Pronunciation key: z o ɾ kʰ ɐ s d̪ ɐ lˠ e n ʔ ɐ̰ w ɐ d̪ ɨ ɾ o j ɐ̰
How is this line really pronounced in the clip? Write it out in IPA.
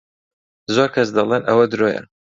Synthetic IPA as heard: z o ɾ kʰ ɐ s d̪ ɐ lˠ e n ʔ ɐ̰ w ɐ d̪ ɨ ɾ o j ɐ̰